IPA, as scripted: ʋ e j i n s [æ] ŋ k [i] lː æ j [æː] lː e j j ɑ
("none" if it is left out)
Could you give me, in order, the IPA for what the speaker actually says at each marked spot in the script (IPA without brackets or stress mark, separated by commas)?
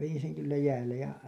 e, y, æː